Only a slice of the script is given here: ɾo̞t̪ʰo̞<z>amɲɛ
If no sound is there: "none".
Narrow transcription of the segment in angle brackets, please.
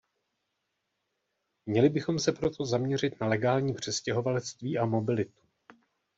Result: z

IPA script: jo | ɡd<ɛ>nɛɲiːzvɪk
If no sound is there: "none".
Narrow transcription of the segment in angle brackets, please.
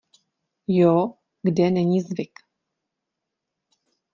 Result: ɛ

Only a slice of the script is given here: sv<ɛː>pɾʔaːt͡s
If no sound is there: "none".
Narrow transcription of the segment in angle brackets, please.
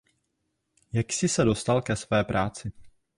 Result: ɛː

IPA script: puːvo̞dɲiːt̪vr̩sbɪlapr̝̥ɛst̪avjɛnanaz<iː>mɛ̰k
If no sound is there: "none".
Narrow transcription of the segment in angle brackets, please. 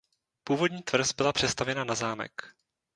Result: aː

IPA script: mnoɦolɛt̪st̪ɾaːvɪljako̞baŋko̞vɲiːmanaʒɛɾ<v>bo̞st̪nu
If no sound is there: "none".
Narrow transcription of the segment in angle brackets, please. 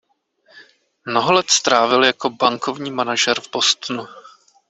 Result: v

